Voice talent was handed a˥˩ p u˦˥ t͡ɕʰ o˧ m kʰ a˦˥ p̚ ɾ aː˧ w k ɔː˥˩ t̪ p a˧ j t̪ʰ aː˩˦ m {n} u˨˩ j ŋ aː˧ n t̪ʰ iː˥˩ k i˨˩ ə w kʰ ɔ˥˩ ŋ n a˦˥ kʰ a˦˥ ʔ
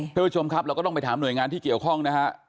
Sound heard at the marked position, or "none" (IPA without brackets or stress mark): n